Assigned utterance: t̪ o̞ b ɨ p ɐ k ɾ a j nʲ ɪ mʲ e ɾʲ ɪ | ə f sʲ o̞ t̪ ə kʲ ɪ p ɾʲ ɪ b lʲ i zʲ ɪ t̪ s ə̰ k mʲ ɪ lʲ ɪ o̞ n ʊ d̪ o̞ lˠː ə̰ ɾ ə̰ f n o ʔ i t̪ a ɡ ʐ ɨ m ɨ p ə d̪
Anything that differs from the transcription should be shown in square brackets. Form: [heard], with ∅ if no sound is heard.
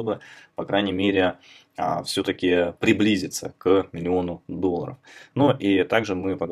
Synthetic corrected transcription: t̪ o̞ b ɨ p ɐ k ɾ a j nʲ ɪ mʲ e ɾʲ ɪ | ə f sʲ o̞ t̪ ə kʲ ɪ p ɾʲ ɪ b lʲ i zʲ ɪ t̪ s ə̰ k mʲ ɪ lʲ ɪ o̞ n ʊ d̪ o̞ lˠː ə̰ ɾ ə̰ f n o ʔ i t̪ a ɡ ʐ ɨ m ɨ p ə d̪